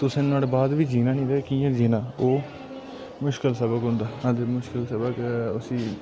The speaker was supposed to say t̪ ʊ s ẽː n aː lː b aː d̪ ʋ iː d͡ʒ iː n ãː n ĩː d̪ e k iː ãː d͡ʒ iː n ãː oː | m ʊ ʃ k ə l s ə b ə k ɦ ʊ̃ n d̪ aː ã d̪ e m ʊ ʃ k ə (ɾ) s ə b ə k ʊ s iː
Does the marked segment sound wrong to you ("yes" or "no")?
yes